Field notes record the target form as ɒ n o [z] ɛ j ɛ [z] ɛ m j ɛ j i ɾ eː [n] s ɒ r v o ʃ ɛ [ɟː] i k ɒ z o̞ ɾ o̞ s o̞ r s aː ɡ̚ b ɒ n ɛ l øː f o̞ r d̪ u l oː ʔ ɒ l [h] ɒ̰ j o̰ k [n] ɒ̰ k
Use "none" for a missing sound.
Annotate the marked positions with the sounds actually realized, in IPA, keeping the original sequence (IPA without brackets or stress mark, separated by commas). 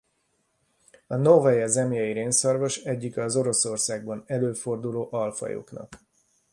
v, z, n, ɟː, f, n